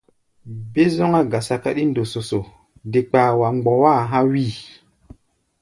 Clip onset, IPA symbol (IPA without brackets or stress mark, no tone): b